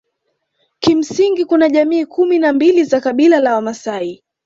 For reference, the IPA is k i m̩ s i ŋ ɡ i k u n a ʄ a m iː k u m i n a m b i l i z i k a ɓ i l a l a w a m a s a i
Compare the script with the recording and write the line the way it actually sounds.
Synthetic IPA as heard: k i m̩ s i ŋ ɡ i k u n a ʄ a m iː k u m i n a m b i l i z a k a ɓ i l a l a w a m a s a i